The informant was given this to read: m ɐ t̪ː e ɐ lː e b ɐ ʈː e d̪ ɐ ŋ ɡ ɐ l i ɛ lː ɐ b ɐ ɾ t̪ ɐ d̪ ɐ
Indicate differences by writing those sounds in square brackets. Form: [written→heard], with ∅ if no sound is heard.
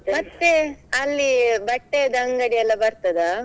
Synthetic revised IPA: m ɐ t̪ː e ɐ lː [e→i] b ɐ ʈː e d̪ ɐ ŋ ɡ ɐ [l→ɽ] i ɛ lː ɐ b ɐ ɾ t̪ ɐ d̪ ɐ